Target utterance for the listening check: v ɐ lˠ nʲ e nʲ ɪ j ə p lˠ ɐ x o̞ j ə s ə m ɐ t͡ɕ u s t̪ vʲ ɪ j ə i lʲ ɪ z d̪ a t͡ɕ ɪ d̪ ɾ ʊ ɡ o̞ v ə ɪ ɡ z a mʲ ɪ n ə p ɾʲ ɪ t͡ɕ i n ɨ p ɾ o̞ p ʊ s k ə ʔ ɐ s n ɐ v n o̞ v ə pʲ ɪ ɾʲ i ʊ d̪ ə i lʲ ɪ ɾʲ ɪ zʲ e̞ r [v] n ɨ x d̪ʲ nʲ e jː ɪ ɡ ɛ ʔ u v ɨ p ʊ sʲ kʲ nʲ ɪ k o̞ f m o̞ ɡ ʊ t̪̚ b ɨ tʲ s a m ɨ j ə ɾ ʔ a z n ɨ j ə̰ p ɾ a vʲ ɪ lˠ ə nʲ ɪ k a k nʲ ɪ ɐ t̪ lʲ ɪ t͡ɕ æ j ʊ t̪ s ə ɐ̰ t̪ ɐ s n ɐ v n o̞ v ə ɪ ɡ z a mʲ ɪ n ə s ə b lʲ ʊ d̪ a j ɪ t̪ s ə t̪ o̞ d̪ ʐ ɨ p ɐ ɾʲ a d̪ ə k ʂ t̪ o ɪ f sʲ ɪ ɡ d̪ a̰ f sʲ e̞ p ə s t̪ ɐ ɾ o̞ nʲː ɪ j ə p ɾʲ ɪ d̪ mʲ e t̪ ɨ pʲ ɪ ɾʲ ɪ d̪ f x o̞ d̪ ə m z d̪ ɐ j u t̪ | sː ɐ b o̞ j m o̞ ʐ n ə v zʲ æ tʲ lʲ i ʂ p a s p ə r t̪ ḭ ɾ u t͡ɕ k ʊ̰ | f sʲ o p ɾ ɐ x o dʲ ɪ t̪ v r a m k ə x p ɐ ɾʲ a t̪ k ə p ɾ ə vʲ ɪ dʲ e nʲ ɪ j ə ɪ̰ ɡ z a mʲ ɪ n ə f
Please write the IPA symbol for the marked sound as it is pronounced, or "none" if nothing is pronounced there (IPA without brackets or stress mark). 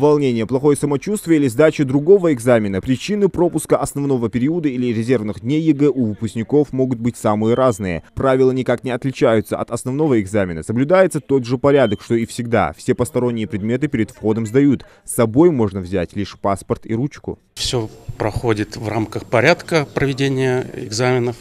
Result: v